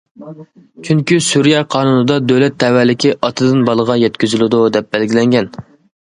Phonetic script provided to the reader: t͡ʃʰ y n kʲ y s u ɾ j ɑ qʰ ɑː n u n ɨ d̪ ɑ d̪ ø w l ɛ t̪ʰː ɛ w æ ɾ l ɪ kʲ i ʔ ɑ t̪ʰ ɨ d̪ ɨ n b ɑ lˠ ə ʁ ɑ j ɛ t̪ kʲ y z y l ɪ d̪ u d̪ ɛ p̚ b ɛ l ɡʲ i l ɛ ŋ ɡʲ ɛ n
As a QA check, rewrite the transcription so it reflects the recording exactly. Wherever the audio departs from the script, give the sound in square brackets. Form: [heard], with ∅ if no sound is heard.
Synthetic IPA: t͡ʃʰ y [ŋ] kʲ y s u ɾ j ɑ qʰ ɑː n u n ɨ d̪ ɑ d̪ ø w l ɛ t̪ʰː ɛ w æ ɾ l ɪ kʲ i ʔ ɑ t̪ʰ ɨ d̪ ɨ n b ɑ lˠ ə ʁ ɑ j ɛ t̪ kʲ y z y l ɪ d̪ u d̪ ɛ p̚ b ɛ l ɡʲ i l ɛ ŋ ɡʲ ɛ n

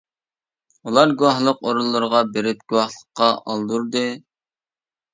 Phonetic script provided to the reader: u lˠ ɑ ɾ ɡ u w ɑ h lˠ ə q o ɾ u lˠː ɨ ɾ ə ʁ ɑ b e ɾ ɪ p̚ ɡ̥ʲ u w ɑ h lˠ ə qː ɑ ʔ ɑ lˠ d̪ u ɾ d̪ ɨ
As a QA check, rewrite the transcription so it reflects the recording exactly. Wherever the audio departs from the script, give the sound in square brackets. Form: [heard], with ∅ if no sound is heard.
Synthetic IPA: u lˠ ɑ ɾ ɡ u w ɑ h lˠ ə q o ɾ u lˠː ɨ ɾ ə ʁ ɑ b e ɾ ɪ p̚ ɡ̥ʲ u w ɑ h lˠ ə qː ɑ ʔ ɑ lˠ d̪ u ɾ d̪ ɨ

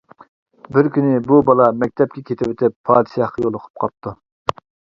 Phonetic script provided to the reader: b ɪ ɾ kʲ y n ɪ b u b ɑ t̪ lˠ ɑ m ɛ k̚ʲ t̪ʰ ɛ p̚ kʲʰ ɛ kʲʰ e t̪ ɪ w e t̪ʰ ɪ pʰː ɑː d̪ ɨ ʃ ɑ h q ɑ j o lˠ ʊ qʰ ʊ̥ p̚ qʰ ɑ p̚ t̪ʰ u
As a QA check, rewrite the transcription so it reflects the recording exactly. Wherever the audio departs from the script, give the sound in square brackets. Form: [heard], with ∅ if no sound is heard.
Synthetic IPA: b ɪ ɾ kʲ y n ɪ b u b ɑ [∅] lˠ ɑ m ɛ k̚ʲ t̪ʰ ɛ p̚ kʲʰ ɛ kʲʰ e t̪ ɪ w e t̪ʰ ɪ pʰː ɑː d̪ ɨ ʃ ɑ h q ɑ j o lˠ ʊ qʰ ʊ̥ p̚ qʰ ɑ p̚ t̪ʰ u

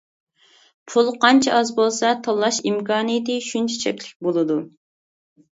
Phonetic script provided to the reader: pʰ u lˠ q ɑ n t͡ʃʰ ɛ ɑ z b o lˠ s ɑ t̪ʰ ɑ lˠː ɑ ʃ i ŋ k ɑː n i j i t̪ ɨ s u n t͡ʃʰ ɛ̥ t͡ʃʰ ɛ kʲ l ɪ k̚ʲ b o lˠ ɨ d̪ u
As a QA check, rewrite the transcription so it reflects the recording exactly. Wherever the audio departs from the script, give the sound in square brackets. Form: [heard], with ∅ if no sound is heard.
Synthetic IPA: pʰ u lˠ q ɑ n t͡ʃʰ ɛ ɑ z b o lˠ s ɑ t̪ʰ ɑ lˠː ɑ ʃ i [m] k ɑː n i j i t̪ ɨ [ʃ] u n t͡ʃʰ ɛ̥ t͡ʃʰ ɛ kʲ l ɪ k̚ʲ b o lˠ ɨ d̪ u

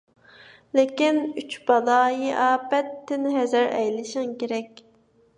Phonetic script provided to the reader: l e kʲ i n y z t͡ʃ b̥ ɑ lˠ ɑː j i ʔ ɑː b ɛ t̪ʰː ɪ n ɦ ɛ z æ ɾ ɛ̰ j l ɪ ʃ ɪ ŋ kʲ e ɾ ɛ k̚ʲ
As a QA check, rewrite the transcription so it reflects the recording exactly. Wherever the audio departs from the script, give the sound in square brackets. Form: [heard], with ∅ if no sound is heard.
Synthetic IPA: l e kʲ i n y [∅] t͡ʃ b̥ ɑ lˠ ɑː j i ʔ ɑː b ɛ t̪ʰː ɪ n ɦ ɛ z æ ɾ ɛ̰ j l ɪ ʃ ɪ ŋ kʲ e ɾ ɛ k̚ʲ

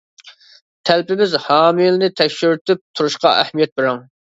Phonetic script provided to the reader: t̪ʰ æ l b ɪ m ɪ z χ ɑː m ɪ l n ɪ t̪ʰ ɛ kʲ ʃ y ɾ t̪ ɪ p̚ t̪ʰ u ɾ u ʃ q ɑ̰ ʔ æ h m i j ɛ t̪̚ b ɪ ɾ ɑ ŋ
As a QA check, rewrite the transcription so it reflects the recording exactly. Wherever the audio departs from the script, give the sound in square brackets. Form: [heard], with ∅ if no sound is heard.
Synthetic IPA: t̪ʰ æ l [p] ɪ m ɪ z [h] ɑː m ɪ l n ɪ t̪ʰ ɛ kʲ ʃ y ɾ t̪ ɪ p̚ t̪ʰ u ɾ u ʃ q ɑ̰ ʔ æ h m i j ɛ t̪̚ b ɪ ɾ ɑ ŋ

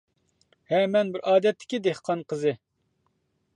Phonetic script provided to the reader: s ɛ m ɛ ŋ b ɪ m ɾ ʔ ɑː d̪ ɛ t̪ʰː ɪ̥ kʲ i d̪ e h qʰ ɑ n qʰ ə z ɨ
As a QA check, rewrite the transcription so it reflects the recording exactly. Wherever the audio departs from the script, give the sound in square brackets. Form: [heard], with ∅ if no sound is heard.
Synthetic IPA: [h] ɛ m ɛ [n] b ɪ [∅] ɾ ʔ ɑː d̪ ɛ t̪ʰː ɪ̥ kʲ i d̪ e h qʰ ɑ n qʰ ə z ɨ

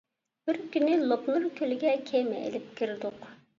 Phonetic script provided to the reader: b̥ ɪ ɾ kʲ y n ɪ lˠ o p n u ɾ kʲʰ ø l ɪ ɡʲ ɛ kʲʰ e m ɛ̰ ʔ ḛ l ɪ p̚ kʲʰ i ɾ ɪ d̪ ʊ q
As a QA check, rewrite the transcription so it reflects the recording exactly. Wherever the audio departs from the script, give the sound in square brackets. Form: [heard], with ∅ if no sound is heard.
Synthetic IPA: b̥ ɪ ɾ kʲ y n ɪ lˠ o p n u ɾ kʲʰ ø l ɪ ɡʲ ɛ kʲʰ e m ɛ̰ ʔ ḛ l ɪ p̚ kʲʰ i ɾ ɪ d̪ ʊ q

